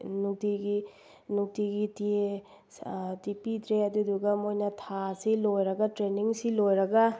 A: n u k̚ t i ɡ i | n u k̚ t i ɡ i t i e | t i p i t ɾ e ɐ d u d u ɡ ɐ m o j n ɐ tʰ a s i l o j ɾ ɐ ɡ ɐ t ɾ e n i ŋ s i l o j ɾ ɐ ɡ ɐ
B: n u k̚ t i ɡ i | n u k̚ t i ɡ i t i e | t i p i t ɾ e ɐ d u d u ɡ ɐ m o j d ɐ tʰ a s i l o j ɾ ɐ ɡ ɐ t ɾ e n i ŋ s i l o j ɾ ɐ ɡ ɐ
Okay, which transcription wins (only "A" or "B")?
A